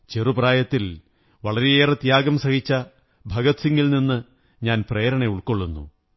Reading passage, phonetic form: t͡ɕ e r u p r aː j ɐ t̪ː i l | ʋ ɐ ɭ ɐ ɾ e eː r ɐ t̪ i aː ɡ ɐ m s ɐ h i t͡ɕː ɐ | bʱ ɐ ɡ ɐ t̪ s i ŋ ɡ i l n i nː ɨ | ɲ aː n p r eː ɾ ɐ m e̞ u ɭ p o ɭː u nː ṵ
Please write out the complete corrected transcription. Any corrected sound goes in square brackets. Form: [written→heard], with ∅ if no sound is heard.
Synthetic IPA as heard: t͡ɕ e r u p r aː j ɐ t̪ː i l | ʋ ɐ ɭ ɐ ɾ e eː r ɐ t̪ [i→j] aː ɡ ɐ m s ɐ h i t͡ɕː ɐ | bʱ ɐ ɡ ɐ t̪ s i ŋ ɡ i l n i nː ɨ | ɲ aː n p r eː ɾ ɐ [m→ɳ] e̞ u ɭ [p→k] o ɭː u nː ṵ